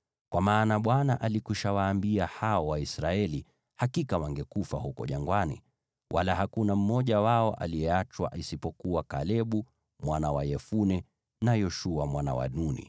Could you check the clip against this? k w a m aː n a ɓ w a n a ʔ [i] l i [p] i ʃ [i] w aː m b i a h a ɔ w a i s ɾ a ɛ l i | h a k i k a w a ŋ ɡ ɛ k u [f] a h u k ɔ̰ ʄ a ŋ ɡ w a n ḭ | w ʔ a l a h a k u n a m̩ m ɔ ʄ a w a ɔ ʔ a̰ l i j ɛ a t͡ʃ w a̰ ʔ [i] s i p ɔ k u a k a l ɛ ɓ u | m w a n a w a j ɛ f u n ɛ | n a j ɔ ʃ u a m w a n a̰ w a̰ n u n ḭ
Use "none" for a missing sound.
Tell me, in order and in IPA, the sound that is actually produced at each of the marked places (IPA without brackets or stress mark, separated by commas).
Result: a, k, a, f, i